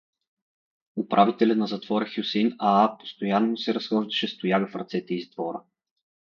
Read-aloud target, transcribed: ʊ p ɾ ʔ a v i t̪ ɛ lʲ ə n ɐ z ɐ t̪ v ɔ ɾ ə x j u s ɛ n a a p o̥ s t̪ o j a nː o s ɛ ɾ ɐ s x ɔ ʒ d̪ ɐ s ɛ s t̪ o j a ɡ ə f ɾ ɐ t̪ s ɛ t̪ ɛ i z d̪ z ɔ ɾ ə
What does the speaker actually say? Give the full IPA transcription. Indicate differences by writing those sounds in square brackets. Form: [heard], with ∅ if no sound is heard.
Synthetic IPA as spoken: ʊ p ɾ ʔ a v i t̪ ɛ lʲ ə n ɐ z ɐ t̪ v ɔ ɾ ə x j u s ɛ n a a p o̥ s t̪ o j a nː o s ɛ ɾ ɐ s x ɔ ʒ d̪ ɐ [ʃ] ɛ s t̪ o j a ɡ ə f ɾ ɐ t̪ s ɛ t̪ ɛ i z d̪ [v] ɔ ɾ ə